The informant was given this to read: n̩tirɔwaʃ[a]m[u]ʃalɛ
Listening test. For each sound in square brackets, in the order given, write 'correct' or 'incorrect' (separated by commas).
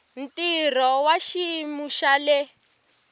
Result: incorrect, correct